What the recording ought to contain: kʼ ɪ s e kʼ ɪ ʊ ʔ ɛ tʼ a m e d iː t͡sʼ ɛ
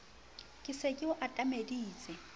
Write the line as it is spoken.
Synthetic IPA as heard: kʼ ɪ s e kʼ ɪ ʊ ʔ a tʼ a m e d iː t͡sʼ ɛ